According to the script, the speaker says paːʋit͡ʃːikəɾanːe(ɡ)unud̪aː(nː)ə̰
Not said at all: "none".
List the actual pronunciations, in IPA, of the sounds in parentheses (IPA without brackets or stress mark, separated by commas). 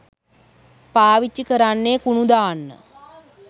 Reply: k, nː